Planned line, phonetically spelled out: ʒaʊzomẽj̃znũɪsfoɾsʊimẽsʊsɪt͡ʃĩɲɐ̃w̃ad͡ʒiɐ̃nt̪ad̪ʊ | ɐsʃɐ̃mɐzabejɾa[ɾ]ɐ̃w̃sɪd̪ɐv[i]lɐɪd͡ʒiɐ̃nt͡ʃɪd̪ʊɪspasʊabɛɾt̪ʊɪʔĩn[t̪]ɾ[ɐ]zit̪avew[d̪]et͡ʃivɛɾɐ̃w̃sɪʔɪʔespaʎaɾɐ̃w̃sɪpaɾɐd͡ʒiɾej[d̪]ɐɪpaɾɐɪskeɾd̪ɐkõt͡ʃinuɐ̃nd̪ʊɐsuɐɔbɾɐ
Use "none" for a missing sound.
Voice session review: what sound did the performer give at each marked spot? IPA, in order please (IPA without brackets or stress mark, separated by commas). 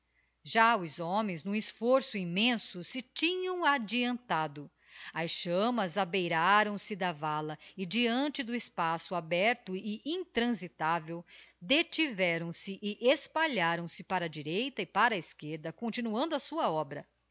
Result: ɾ, a, t̪, ɐ̃, d̪, t̪